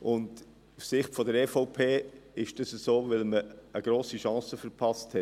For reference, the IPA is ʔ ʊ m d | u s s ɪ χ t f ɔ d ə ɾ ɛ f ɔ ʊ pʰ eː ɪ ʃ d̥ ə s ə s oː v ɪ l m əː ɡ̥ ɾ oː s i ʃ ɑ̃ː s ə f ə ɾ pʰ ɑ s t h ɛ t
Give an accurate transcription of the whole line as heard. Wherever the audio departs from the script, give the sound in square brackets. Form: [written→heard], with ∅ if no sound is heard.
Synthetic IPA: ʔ ʊ [m→n] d | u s s ɪ χ t f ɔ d ə ɾ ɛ f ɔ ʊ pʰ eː ɪ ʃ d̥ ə s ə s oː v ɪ l m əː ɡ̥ ɾ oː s i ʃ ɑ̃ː s ə f ə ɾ pʰ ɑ s t h ɛ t